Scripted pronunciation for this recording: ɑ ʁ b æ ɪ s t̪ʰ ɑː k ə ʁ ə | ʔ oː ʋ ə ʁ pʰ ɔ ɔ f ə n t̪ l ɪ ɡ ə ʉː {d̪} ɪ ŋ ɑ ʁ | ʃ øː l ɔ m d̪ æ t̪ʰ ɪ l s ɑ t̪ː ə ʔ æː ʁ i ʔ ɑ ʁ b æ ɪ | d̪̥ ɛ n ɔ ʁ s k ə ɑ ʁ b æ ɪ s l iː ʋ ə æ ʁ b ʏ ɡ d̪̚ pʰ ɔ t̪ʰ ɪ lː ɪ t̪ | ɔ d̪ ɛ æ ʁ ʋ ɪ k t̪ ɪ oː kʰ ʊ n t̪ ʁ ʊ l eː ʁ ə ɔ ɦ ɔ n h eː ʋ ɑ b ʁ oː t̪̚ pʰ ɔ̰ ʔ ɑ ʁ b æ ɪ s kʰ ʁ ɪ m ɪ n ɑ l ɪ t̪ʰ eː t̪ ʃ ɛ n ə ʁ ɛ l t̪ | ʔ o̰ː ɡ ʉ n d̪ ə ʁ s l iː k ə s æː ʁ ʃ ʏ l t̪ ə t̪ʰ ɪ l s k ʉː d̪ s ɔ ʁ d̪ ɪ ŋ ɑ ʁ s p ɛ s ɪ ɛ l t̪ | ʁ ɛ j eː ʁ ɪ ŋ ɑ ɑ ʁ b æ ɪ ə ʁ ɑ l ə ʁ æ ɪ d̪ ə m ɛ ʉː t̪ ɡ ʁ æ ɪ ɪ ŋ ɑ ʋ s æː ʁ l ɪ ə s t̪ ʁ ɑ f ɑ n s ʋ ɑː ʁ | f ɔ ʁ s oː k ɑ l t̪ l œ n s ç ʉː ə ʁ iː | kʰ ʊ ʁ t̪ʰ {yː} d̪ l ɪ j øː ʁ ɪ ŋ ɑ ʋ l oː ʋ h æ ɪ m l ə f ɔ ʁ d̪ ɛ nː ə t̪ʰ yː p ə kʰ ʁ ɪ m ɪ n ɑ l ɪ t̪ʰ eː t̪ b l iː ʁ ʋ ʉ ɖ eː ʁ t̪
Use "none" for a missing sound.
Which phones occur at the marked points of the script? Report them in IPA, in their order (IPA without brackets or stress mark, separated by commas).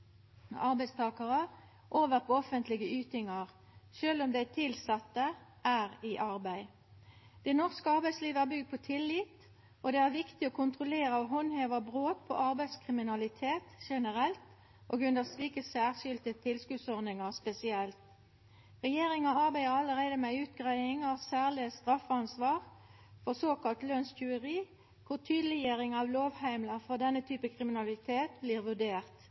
t̪, yː